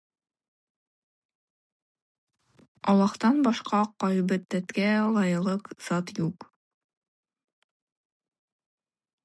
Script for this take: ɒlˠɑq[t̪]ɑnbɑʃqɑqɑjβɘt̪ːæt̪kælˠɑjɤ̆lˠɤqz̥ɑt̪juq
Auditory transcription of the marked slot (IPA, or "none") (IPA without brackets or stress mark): t̪